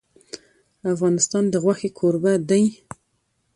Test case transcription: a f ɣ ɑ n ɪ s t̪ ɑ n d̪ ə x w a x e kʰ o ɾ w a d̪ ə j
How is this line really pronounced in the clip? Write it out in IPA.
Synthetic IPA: a f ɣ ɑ n ɪ s t̪ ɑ n d̪ ə ɣ w a x e kʰ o ɾ b a d̪ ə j